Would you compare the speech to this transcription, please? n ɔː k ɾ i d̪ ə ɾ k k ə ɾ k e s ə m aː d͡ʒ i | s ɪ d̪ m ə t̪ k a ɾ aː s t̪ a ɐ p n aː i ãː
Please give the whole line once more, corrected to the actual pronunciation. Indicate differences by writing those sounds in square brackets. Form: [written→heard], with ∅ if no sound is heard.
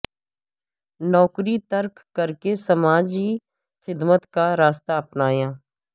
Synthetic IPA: n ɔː k ɾ i [d̪→t̪] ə ɾ k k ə ɾ k e s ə m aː d͡ʒ i | [s→x] ɪ d̪ m ə t̪ k a ɾ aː s t̪ a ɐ p n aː [i→j] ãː